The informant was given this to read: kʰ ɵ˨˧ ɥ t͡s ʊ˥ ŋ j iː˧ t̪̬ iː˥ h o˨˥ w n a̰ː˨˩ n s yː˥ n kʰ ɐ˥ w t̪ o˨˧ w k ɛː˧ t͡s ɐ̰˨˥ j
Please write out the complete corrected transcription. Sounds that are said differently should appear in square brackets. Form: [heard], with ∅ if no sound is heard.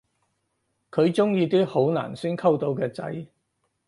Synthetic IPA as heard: kʰ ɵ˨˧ ɥ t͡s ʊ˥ ŋ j iː˧ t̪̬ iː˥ h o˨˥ w n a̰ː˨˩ n s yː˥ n kʰ ɐ˥ w t̪ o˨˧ w k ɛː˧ t͡s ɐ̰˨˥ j